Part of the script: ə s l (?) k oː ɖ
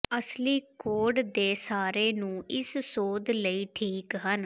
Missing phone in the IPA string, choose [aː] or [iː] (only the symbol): iː